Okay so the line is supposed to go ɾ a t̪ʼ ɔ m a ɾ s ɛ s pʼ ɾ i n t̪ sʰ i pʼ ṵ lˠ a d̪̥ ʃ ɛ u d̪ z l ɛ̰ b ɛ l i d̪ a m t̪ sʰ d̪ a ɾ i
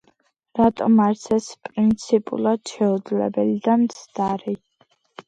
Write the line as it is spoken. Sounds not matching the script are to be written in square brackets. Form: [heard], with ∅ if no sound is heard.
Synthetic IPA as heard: ɾ a t̪ʼ ɔ m a ɾ s ɛ s pʼ ɾ i n t̪ sʰ i pʼ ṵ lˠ a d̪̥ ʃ ɛ u d̪ z l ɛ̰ b ɛ l i d̪ a m t̪ sʰ d̪ a ɾ i